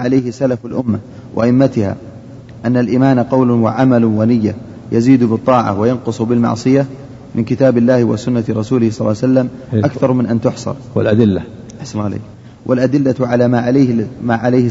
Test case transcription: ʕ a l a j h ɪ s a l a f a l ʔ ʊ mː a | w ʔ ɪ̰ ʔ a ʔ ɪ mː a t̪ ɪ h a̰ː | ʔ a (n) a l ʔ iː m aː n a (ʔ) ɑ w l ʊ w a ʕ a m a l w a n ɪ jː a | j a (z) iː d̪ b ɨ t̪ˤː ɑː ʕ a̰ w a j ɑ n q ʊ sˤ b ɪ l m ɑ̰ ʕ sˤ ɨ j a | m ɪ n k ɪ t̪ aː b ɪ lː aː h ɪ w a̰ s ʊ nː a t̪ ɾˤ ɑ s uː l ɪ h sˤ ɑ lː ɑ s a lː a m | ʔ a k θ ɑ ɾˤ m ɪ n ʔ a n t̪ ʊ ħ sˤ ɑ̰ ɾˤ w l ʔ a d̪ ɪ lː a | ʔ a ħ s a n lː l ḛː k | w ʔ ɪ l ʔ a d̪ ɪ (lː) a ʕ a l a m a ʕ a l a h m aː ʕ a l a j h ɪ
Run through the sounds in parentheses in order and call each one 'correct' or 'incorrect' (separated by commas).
incorrect, incorrect, correct, correct